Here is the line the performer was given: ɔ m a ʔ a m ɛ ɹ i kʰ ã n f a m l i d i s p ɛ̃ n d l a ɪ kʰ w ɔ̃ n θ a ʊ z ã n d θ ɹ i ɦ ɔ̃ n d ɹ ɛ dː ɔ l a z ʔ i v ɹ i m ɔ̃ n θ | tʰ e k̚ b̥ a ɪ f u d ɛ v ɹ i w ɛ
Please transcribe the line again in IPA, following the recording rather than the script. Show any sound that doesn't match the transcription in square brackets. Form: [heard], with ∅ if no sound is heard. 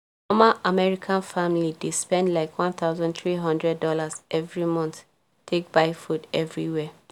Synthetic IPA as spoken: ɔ m a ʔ a m ɛ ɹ i kʰ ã n f a m l i d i s p ɛ̃ n d l a ɪ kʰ w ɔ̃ n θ a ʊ z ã n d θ ɹ i ɦ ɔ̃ n d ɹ ɛ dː ɔ l a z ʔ [ɛ] v ɹ i m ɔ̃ n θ | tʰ e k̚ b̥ a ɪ f u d ɛ v ɹ i w ɛ

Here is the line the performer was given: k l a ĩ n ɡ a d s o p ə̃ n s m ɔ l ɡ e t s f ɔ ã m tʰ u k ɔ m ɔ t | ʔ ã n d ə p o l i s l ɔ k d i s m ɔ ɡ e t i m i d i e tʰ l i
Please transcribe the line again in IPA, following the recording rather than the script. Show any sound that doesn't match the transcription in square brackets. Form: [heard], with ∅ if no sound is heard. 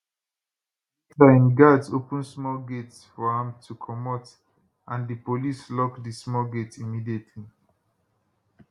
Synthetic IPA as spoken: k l a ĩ n ɡ a d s o p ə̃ n s m ɔ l ɡ e t s f ɔ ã m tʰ u [kʰ] ɔ m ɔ t | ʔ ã n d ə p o l i s l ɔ k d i s m ɔ ɡ e t i m i d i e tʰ l i

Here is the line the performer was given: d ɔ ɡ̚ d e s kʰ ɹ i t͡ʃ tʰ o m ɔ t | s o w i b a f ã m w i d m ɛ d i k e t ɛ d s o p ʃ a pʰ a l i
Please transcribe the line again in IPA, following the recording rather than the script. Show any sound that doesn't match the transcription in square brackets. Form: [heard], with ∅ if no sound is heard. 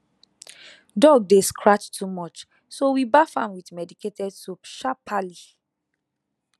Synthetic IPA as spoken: d ɔ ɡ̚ d e s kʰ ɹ [a] t͡ʃ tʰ [u] m ɔ [t͡ʃ] | s o w i b a f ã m w i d m ɛ d i k e t ɛ d s o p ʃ a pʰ a l i

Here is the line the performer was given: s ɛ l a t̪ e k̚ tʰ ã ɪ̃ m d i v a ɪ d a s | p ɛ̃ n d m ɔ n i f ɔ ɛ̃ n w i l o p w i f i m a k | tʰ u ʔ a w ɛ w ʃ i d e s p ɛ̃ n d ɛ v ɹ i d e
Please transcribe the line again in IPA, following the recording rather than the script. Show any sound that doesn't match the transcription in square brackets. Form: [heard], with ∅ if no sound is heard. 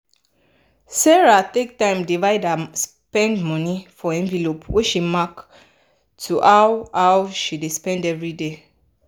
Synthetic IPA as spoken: s ɛ [ɹ] a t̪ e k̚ [t] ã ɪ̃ m d i v a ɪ d a s | p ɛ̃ n d m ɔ n i f ɔ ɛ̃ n [v] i l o p w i [ʃ] i m a k | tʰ u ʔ a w [a] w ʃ i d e s p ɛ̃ n d ɛ v ɹ i d e

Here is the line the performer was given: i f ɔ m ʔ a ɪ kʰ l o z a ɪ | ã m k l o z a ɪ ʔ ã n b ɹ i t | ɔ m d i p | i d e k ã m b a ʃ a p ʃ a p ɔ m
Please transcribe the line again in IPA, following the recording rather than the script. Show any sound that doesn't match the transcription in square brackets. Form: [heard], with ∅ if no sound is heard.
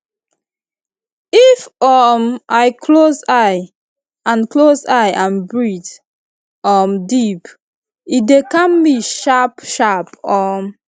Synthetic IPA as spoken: i f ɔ m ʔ a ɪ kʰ l o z a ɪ | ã [n] k l o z a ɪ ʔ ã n b ɹ i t | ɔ m d i p | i d e k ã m b [i] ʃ a p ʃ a p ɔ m

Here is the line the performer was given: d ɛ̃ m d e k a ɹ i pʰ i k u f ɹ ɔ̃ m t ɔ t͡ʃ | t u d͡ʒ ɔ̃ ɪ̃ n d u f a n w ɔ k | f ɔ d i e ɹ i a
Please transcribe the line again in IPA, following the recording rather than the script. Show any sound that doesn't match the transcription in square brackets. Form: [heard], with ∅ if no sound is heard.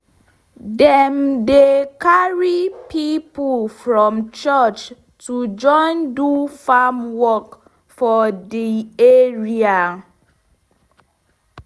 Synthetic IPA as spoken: d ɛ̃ m d e k a ɹ i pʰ i [p] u f ɹ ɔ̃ m [t͡ʃ] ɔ t͡ʃ | t u d͡ʒ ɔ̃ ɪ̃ n d u f a [m] w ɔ k | f ɔ d i e ɹ i a

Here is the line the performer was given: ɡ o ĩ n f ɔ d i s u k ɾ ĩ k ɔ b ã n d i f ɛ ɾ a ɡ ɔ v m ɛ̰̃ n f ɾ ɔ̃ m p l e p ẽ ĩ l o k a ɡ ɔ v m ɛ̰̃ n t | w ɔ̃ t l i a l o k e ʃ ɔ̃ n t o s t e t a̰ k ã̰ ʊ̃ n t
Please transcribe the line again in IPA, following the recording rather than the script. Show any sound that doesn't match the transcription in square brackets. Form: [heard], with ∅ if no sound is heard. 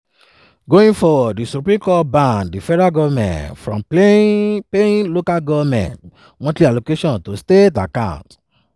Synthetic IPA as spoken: ɡ o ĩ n f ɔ d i s u [p] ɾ ĩ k ɔ b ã n d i f ɛ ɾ a ɡ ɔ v m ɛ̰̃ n f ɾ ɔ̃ m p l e p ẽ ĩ l o k a ɡ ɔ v m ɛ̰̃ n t | w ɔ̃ t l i a l o k e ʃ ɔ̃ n t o s t e t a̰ k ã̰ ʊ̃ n t

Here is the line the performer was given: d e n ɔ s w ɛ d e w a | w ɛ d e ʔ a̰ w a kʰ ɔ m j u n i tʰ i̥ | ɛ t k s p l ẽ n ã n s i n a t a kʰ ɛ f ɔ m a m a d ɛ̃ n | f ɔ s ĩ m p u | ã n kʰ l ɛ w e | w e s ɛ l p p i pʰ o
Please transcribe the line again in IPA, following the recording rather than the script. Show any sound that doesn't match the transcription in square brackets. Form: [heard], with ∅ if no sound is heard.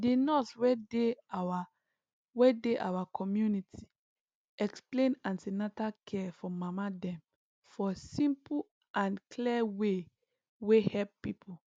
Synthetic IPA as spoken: d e n ɔ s w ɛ d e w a | w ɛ d e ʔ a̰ w a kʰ ɔ m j u n i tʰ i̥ | ɛ [∅] k s p l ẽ n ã n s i n a t a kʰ ɛ f ɔ m a m a d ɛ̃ [m] | f ɔ s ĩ m p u | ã n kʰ l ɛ w e | w e [h] ɛ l p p i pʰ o

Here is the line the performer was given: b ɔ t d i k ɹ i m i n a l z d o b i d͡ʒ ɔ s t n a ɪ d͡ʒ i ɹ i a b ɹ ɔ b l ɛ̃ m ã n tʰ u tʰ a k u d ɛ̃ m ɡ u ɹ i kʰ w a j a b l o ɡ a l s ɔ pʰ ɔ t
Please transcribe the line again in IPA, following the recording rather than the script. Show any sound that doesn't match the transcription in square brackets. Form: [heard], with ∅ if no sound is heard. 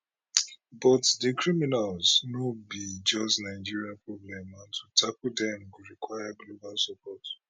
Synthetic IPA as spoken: b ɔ t d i k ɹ i m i n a l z [n] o b i d͡ʒ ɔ s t n a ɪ d͡ʒ i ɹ i a [p] ɹ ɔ b l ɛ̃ m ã n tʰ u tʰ a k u d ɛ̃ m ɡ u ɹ i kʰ w a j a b l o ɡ a l s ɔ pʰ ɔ t

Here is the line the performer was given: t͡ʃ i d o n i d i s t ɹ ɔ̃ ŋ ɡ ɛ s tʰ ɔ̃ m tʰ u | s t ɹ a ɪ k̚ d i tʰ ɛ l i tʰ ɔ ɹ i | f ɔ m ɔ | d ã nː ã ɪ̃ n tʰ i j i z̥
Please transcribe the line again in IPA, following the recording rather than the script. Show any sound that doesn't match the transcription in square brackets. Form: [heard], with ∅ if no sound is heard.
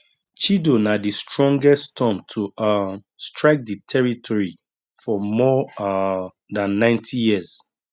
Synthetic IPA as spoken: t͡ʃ i d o n [a] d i s t ɹ ɔ̃ ŋ ɡ ɛ s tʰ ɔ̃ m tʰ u | s t ɹ a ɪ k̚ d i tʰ ɛ [ɹ] i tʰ ɔ ɹ i | f ɔ m ɔ | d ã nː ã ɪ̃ n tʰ i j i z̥

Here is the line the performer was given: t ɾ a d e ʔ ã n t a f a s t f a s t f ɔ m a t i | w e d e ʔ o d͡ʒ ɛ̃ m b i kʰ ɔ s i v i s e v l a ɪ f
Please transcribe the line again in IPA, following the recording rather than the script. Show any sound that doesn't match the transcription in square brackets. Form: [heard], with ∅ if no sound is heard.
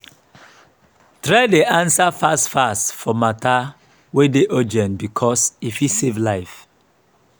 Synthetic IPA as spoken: t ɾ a d e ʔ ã n [s] a f a s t f a s t f ɔ m a t [a] | w e d e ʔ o d͡ʒ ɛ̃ [n] b i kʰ ɔ s i [f] i s e v l a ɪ f

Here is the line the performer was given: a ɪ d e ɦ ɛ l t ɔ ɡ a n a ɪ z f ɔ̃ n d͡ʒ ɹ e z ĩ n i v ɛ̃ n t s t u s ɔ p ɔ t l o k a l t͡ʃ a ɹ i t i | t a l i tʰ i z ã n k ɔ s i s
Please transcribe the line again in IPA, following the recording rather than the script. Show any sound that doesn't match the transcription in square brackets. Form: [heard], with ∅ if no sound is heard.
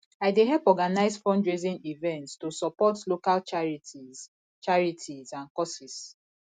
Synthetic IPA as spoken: a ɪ d e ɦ ɛ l [p] ɔ ɡ a n a ɪ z f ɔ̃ n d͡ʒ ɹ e z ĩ n i v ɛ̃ n t s t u s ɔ p ɔ t l o k a l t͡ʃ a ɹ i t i | [t͡ʃ] a [ɹ] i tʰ i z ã n k ɔ s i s

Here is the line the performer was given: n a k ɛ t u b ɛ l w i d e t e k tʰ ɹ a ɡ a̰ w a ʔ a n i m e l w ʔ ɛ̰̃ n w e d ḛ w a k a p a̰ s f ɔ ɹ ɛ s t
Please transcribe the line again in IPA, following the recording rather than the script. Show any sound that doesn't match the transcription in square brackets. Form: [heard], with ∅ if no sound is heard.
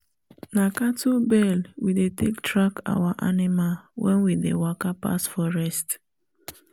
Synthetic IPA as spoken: n a k [a] t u b ɛ l w i d e t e k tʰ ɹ a [k] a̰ w a ʔ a n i m [a] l w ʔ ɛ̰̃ n w [i] d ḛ w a k a p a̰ s f ɔ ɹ ɛ s t

